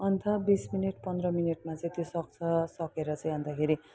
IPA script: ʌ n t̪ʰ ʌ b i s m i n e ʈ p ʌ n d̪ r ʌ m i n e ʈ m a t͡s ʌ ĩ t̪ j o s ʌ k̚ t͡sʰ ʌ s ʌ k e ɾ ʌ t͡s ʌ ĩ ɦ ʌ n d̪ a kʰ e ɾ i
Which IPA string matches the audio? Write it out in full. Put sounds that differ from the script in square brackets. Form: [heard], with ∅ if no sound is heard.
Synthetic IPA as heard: ʌ n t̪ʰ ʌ b i s m i n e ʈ p ʌ n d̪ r ʌ m i n e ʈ m a t͡s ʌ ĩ t̪ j o s ʌ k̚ t͡sʰ ʌ s ʌ k e ɾ ʌ t͡s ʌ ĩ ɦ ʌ n d̪ a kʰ e ɾ i